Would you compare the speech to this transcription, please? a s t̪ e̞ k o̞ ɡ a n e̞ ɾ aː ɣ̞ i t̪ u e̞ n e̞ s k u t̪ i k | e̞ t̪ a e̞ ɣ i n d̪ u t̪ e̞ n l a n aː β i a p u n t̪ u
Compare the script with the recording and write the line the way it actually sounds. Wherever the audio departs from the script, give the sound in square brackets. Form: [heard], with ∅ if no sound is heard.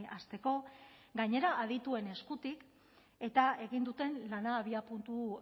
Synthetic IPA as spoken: a s t̪ e̞ k o̞ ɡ a [ɲ] e̞ ɾ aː [ð̞] i t̪ u e̞ n e̞ s k u t̪ i k | e̞ t̪ a e̞ ɣ i n d̪ u t̪ e̞ n l a n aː β i a p u n t̪ u